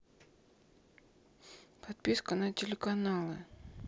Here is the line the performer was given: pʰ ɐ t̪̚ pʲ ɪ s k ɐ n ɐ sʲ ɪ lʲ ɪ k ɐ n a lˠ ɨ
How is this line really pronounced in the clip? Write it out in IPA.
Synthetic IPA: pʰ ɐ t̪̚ pʲ i s k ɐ n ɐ tʲ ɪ lʲ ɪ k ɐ n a lˠ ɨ